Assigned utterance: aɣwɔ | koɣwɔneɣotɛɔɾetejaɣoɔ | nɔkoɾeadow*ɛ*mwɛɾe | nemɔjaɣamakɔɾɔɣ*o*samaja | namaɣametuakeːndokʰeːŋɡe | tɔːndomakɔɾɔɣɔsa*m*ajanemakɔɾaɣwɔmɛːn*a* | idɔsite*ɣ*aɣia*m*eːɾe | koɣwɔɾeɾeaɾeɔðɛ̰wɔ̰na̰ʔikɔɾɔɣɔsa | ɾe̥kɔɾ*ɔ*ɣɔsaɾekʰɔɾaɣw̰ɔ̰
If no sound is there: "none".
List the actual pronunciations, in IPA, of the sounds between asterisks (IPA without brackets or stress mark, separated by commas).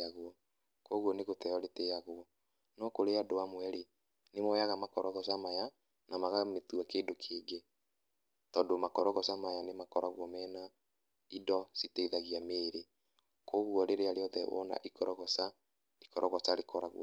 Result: a, ɔ, m, a, ð, m, ɔ